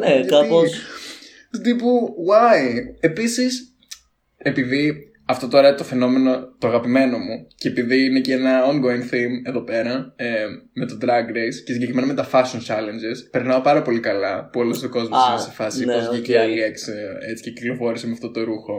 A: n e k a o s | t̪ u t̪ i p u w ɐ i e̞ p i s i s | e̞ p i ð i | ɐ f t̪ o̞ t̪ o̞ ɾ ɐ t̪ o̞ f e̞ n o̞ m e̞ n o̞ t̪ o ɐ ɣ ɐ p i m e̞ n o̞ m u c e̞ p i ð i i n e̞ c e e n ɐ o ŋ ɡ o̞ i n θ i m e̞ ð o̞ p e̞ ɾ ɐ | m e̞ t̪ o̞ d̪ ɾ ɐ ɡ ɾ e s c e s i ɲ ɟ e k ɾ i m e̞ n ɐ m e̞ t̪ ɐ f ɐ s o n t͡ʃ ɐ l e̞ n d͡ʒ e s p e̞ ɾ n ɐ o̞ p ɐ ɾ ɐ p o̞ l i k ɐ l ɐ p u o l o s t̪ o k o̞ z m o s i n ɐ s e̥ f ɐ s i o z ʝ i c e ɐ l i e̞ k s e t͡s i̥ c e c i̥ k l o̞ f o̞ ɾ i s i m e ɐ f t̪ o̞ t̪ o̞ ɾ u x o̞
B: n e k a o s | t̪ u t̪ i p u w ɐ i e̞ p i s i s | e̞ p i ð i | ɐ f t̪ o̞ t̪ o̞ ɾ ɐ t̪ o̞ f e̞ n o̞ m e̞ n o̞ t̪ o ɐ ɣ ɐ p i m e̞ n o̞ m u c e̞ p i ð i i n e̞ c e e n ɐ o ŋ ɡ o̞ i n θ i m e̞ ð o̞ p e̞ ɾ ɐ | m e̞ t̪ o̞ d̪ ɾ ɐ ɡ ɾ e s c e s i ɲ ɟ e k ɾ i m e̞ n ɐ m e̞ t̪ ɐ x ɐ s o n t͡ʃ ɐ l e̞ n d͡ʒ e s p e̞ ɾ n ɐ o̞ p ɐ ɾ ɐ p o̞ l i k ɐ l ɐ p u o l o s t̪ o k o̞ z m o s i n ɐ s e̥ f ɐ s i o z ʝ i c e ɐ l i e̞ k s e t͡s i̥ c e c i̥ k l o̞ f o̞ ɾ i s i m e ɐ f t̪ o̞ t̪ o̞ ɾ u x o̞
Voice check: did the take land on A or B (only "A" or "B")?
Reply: A